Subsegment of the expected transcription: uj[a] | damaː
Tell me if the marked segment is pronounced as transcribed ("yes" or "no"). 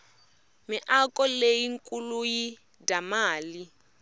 no